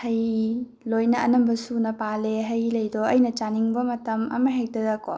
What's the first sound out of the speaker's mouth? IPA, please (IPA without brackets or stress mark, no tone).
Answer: h